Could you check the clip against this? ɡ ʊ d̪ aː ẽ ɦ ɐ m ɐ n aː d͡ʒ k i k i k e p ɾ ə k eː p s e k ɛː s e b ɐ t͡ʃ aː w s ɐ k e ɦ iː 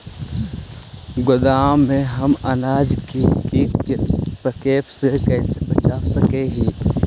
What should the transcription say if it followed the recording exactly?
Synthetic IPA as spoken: ɡ ʊ d̪ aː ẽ ɦ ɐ m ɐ n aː d͡ʒ k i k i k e p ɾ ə k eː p s e k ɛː s e b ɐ t͡ʃ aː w s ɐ k e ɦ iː